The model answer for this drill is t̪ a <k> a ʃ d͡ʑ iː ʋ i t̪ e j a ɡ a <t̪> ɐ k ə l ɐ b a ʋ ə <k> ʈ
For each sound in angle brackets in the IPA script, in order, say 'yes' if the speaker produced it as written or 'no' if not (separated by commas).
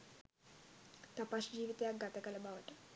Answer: no, yes, no